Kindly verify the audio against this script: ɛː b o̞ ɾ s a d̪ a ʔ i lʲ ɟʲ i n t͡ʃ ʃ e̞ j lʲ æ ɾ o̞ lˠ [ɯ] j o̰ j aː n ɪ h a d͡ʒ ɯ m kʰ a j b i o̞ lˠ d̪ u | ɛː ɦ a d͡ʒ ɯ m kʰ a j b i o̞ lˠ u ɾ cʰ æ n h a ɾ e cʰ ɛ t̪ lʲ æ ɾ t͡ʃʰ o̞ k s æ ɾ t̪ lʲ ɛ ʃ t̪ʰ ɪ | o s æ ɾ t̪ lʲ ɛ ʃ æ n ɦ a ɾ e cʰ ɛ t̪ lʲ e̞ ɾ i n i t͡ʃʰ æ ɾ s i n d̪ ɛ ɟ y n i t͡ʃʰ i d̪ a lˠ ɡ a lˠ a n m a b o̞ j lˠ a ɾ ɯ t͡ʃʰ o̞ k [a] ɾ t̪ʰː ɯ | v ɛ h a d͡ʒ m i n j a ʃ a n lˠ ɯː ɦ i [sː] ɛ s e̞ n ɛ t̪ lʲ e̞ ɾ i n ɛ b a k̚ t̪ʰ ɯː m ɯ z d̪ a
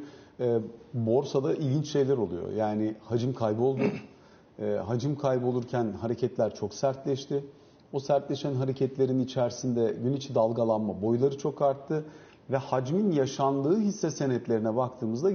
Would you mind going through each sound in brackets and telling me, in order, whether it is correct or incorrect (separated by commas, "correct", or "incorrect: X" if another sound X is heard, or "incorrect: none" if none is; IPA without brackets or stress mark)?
incorrect: u, correct, correct